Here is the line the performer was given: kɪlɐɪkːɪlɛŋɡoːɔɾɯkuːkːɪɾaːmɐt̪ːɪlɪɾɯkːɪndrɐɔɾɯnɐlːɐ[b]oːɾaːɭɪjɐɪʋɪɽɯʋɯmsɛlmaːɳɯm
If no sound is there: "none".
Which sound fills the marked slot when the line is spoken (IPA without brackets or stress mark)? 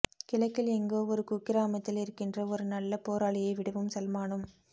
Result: p